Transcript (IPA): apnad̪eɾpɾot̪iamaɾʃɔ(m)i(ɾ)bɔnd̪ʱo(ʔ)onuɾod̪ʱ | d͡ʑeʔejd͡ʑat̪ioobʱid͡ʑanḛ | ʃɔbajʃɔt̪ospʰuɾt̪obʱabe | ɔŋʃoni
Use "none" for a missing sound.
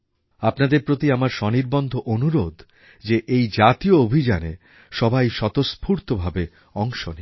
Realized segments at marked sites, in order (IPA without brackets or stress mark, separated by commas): n, ɾ, ʔ